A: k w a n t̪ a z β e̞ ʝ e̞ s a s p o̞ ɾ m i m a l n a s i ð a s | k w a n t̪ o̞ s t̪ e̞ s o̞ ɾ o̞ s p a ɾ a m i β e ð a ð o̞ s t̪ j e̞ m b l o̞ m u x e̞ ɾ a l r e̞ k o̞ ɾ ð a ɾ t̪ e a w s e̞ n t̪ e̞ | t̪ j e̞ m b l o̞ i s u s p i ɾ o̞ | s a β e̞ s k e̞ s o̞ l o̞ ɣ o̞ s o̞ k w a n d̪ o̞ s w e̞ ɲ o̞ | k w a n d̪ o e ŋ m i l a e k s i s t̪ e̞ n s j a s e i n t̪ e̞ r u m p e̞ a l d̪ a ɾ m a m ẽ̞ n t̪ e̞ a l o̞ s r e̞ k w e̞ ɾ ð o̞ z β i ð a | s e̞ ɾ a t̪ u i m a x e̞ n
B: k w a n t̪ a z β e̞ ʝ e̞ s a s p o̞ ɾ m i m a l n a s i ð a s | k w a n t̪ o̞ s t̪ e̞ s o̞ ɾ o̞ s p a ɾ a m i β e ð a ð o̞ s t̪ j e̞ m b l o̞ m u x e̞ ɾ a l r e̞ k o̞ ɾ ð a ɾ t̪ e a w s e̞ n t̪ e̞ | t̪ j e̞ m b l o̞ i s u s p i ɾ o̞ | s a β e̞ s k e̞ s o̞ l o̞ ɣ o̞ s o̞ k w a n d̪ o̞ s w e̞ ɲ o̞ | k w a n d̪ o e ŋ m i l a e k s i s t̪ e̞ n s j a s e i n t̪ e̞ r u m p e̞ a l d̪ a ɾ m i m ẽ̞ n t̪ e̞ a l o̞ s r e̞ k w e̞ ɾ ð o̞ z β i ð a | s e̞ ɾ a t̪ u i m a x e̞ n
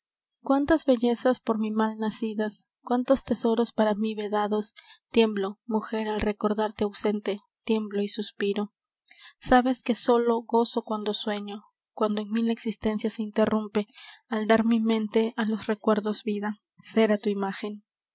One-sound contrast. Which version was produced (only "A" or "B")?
B